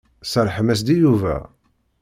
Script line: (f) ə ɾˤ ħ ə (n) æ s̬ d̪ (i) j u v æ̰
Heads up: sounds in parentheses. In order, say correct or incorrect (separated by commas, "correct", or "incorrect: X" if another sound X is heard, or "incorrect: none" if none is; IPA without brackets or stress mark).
incorrect: s, incorrect: m, correct